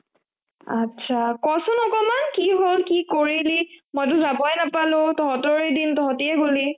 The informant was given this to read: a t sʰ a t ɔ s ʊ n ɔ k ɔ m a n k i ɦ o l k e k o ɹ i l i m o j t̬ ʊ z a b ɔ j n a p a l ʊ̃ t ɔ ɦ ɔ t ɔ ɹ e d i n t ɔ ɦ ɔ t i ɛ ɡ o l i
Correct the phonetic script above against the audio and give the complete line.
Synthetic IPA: a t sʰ a k ɔ s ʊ n ɔ k ɔ m a n k i ɦ o l k i k o ɹ i l i m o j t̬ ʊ z a b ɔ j n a p a l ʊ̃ t ɔ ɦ ɔ t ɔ ɹ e d i n t ɔ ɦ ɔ t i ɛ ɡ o l i